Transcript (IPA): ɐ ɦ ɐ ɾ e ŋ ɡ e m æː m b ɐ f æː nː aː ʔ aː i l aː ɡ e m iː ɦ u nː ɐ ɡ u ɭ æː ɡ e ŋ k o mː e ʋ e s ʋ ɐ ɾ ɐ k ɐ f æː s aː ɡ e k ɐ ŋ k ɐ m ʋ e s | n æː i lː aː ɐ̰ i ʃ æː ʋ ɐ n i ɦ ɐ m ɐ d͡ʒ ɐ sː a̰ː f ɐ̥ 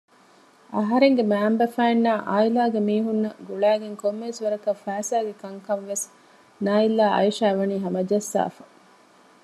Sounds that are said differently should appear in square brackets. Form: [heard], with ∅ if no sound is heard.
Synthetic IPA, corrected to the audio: ɐ ɦ ɐ ɾ e ŋ ɡ e m æː m b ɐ f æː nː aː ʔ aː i l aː ɡ e m iː ɦ u nː ɐ ɡ u ɭ æː ɡ e ŋ k o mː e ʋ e s ʋ ɐ ɾ ɐ k ɐ f æː s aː ɡ e k ɐ ŋ k ɐ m ʋ e s | n [aː] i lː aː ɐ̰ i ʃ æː ʋ ɐ n [iː] ɦ ɐ m ɐ d͡ʒ ɐ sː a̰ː f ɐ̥